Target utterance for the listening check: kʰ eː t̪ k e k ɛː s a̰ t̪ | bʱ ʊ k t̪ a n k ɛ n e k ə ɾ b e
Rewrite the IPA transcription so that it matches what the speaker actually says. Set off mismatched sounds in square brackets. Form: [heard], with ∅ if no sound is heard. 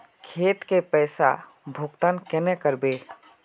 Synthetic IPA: kʰ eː t̪ k e [p] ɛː s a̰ [∅] | bʱ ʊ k t̪ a n k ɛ n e k ə ɾ b e